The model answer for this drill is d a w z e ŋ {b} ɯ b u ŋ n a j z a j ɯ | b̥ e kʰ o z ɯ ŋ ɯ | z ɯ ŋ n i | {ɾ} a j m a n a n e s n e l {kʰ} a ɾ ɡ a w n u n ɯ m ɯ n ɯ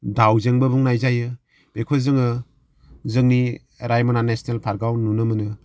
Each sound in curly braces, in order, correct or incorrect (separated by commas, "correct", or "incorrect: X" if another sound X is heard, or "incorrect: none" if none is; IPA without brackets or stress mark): correct, correct, incorrect: pʰ